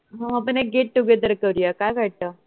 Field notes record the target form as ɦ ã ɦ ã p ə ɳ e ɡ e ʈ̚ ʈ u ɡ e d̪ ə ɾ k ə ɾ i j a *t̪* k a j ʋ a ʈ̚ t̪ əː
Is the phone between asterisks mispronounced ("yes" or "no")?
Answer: yes